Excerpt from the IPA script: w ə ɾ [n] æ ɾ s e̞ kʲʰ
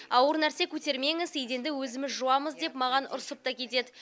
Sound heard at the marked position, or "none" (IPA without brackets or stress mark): n